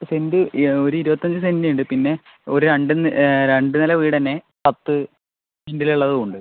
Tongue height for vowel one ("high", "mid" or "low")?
mid